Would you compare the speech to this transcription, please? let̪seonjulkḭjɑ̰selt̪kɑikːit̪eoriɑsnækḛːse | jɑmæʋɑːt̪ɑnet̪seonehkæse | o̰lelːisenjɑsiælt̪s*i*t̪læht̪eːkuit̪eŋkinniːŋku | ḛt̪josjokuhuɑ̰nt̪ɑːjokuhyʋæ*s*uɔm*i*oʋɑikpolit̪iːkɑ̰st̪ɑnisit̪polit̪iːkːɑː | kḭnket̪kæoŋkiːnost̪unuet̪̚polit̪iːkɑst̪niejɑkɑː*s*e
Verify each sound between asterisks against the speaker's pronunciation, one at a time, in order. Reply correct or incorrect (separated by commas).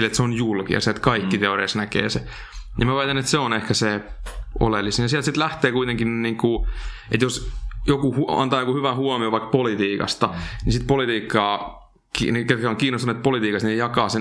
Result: correct, incorrect, correct, correct